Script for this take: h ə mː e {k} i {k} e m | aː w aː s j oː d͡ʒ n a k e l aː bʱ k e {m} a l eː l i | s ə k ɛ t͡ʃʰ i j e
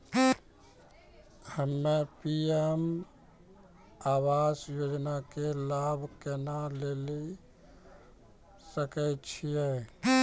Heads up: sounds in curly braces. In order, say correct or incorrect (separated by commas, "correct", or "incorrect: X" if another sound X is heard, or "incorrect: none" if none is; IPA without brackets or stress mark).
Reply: incorrect: p, incorrect: none, incorrect: n